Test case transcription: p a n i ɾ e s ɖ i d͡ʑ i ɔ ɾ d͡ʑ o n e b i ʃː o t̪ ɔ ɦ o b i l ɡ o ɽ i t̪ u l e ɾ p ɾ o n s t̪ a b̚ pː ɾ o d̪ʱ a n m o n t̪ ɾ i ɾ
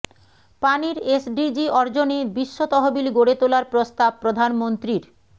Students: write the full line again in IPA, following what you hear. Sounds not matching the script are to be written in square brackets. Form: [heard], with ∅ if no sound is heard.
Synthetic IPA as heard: p a n i ɾ e s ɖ i d͡ʑ i ɔ ɾ d͡ʑ o n e b i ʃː o t̪ ɔ ɦ o b i l ɡ o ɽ [e] t̪ [o] l [a] ɾ p ɾ o [∅] s t̪ a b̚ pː ɾ o d̪ʱ a n m o n t̪ ɾ i ɾ